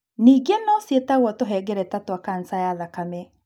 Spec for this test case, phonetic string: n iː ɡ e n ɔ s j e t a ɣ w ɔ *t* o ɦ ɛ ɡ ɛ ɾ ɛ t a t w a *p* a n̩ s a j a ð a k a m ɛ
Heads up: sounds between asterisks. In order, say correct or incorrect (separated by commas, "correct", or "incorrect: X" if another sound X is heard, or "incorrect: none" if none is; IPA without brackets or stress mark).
correct, incorrect: k